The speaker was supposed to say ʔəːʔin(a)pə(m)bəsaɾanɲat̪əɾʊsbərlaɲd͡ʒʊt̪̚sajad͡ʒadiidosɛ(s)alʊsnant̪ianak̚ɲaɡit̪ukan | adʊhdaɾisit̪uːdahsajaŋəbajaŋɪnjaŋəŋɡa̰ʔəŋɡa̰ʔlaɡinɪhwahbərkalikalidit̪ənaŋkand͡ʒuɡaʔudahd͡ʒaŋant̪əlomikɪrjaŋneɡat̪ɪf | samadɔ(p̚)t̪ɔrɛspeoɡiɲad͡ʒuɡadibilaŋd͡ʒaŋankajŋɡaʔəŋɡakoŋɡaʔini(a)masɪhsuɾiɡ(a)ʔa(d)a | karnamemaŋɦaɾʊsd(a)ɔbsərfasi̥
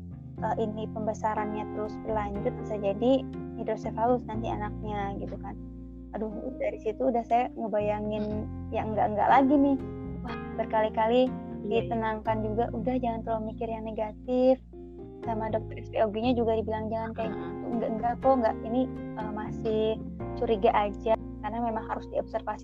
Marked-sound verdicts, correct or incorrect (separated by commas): incorrect, correct, incorrect, incorrect, incorrect, correct, incorrect, incorrect